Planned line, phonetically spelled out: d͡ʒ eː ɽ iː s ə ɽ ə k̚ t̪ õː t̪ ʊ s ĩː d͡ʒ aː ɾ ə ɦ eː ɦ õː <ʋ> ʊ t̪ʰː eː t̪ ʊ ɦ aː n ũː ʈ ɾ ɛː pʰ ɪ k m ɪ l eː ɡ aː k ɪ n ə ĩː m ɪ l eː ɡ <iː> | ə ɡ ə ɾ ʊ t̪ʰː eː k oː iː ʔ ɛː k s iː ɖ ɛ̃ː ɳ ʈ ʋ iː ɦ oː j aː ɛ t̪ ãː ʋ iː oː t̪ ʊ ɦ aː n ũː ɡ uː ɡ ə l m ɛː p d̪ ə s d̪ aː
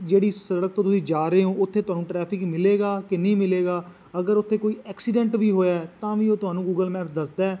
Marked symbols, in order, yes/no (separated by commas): no, no